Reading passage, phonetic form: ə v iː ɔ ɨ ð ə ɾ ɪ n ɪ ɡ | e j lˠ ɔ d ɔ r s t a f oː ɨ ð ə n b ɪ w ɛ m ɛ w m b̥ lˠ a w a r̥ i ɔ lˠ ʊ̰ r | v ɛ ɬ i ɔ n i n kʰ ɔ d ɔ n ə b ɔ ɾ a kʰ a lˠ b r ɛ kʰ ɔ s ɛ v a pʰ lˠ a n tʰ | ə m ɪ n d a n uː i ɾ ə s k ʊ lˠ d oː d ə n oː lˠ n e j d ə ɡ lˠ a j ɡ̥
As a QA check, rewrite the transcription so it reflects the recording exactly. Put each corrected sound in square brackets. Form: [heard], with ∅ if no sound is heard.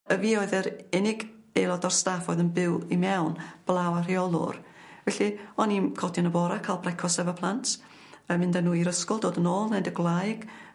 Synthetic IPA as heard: ə v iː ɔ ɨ ð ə ɾ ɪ n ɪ ɡ | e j lˠ ɔ d ɔ r s t a f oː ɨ ð ə n b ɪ w [i] m ɛ w [n] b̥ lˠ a w a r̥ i ɔ lˠ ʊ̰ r | v ɛ ɬ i ɔ n i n kʰ ɔ d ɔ n ə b ɔ ɾ a kʰ a lˠ b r ɛ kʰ ɔ s ɛ v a pʰ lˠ a n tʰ | ə m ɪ n d a n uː i ɾ ə s k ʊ lˠ d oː d ə n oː lˠ n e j d ə ɡ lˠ a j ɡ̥